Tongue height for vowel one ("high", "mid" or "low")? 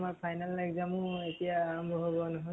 low